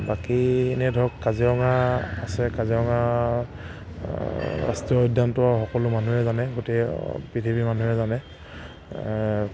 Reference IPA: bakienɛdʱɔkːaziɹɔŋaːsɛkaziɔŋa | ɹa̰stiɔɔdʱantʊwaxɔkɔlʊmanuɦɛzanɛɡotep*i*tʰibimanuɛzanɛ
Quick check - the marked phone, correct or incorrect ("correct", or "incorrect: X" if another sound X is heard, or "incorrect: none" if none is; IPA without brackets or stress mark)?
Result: correct